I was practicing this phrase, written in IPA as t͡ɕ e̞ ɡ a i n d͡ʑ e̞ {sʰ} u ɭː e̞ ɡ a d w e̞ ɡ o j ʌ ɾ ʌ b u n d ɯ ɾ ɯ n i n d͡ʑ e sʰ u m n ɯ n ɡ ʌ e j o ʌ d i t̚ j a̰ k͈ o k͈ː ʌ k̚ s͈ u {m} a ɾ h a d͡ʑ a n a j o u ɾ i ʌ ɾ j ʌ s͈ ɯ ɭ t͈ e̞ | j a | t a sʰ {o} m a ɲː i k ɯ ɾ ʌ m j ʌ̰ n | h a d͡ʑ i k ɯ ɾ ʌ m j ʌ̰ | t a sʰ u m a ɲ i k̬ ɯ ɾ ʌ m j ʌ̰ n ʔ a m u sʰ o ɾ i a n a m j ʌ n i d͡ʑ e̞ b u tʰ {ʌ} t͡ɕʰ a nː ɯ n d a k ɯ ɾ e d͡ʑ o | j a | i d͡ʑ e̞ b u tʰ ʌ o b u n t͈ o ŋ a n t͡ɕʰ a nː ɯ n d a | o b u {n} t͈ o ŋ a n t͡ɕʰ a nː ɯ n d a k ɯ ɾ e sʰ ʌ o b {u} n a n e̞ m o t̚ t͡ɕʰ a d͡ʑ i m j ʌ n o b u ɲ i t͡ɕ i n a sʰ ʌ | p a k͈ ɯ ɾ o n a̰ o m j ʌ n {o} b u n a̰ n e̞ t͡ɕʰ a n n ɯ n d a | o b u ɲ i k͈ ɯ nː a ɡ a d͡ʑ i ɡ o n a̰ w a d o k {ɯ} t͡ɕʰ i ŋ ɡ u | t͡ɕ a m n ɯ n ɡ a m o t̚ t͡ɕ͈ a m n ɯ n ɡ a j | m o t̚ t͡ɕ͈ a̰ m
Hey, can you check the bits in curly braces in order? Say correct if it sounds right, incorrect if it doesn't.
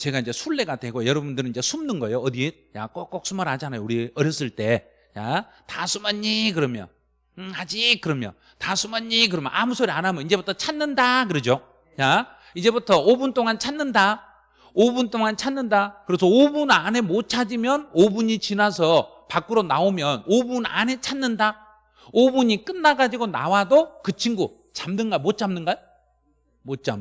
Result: correct, correct, incorrect: u, correct, correct, correct, correct, correct

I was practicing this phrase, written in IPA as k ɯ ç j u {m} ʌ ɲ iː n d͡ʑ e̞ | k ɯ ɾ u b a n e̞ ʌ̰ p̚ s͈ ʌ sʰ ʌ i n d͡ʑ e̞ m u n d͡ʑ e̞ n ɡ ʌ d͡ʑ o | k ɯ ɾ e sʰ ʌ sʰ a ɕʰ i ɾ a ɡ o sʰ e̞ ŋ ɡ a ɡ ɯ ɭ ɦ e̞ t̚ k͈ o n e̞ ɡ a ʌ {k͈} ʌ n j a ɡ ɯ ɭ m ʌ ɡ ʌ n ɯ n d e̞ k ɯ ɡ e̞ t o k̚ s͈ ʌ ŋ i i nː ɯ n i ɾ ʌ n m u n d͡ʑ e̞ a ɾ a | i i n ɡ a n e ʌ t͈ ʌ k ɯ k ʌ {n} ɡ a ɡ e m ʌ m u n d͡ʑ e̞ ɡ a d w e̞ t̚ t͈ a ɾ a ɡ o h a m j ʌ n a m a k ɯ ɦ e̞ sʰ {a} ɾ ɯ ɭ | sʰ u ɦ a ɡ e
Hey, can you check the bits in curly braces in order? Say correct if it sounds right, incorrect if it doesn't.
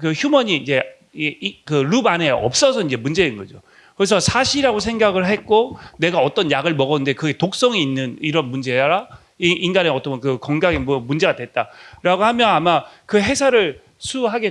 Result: correct, incorrect: t͈, incorrect: ŋ, correct

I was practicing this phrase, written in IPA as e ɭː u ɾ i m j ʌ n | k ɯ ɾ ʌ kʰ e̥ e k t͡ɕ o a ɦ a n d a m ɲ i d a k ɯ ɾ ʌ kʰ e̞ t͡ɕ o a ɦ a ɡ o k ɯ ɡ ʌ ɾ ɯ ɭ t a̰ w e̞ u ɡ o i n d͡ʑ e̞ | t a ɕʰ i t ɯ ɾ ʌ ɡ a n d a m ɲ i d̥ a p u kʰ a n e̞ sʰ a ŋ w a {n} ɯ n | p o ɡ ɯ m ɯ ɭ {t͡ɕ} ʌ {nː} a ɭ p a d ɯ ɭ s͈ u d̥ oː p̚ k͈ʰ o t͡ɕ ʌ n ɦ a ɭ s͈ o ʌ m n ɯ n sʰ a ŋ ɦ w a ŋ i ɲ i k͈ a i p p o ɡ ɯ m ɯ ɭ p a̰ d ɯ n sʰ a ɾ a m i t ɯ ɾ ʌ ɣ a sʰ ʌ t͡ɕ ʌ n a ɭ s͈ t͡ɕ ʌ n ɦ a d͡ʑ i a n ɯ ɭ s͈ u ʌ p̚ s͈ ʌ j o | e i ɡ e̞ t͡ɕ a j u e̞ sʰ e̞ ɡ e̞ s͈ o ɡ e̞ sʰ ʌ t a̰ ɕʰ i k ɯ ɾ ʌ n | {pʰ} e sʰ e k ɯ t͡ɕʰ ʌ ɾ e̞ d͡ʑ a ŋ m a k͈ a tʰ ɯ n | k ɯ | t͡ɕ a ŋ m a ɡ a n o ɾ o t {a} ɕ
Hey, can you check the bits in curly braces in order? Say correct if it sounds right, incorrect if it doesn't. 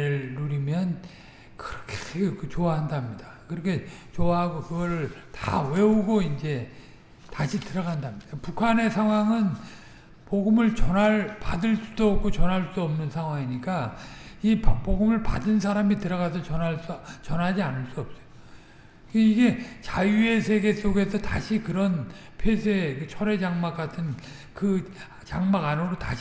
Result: incorrect: ŋ, correct, incorrect: n, correct, correct

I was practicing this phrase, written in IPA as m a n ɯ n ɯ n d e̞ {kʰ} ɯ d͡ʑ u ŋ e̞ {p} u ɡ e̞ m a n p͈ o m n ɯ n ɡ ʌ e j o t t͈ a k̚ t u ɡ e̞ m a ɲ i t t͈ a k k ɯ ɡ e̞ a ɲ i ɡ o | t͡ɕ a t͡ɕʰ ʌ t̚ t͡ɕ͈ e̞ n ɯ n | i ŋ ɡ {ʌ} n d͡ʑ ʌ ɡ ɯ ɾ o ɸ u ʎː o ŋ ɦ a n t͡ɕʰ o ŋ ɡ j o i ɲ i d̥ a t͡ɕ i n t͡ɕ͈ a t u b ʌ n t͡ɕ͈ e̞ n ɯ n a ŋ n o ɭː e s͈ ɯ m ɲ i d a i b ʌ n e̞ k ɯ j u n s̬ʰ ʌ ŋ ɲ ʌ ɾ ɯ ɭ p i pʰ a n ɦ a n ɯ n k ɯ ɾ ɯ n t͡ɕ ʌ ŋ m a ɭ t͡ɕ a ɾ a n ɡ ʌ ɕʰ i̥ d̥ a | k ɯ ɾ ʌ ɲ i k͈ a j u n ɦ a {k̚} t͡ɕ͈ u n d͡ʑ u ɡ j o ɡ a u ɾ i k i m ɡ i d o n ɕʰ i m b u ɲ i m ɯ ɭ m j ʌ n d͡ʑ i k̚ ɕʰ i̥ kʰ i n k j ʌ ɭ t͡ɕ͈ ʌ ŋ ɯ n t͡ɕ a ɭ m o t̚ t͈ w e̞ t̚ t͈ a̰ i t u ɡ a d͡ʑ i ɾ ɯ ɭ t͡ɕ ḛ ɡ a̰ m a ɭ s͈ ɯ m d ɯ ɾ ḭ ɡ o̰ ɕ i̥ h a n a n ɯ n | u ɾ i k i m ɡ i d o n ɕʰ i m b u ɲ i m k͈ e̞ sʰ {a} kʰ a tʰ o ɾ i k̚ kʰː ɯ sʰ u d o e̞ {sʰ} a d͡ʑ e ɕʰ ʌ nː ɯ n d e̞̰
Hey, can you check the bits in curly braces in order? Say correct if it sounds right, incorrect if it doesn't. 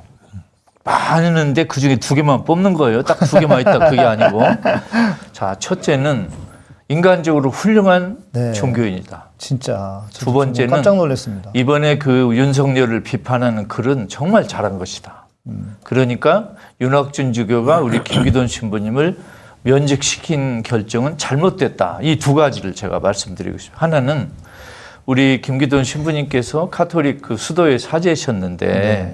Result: incorrect: k, incorrect: t, incorrect: a, correct, incorrect: ʌ, correct

